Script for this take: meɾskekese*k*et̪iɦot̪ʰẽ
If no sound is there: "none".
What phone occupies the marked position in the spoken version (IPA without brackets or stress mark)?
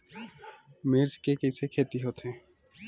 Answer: kʰ